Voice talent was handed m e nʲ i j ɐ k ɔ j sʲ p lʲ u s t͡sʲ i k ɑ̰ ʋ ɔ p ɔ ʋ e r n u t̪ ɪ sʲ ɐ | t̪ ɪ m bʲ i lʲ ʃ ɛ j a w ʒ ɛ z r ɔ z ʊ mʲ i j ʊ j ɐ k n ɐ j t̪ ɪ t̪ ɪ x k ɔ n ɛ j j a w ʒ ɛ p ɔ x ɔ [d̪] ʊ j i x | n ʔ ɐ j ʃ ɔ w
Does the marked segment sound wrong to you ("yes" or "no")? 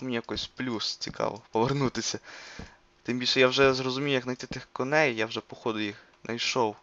no